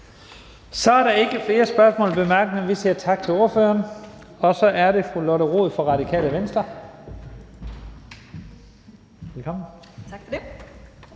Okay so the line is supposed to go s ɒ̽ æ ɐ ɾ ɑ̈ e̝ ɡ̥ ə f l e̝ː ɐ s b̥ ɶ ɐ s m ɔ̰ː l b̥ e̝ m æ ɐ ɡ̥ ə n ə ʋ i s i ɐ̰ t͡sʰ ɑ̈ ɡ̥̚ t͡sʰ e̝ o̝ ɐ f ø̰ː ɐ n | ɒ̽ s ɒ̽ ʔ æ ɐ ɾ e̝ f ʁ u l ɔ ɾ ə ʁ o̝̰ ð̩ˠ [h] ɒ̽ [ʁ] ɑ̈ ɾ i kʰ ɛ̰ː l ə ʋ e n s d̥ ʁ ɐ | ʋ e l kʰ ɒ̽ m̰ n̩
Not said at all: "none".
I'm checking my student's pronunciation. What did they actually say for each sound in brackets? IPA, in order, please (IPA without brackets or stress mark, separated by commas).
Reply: f, ʁ